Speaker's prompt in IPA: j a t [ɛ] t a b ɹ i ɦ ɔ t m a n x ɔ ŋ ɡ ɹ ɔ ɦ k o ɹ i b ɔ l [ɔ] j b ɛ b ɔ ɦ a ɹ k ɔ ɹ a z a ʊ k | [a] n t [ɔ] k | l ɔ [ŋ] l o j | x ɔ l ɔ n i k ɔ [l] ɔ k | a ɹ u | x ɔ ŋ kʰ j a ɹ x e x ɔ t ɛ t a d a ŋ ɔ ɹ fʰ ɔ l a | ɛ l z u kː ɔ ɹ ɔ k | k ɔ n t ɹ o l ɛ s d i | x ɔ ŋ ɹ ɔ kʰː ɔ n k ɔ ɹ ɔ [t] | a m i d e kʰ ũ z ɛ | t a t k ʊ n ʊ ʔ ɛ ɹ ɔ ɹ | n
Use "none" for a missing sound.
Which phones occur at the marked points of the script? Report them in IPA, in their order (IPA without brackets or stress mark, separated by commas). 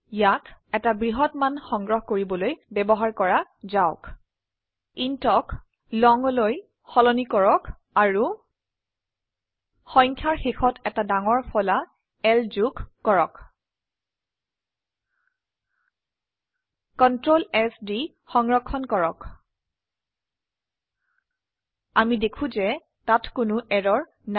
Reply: ɛ, o, i, ɔ, ŋ, ɹ, k